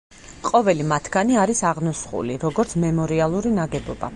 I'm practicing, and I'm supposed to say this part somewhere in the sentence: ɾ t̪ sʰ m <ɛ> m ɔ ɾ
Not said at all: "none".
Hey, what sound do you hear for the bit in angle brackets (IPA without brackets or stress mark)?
ɛ